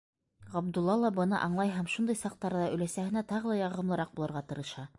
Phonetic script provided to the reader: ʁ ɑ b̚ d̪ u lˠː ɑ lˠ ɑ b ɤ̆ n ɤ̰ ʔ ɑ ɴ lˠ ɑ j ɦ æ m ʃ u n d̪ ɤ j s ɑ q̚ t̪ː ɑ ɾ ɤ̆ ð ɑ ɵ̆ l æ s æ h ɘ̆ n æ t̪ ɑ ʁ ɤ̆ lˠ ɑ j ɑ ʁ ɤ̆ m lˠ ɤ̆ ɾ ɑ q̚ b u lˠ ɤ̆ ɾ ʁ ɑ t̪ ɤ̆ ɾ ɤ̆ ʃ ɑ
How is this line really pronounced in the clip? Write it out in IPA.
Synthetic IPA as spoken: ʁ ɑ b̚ d̪ u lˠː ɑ lˠ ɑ b ɤ̆ n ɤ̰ ʔ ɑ ɴ lˠ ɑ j ɦ æ m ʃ u n d̪ ɤ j s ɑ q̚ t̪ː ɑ ɾ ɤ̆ ð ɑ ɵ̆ l æ s æ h ɘ̆ n æ t̪ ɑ ʁ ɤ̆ lˠ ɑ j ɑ ʁ ɤ̆ m lˠ ɤ̆ ɾ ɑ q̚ b u lˠ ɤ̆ ɾ ʁ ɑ t̪ ɤ̆ ɾ ɤ̆ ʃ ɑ